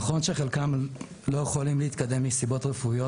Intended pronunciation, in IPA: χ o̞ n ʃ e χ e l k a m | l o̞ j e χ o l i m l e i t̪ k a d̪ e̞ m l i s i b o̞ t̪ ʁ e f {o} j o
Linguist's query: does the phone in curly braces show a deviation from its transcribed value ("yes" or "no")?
yes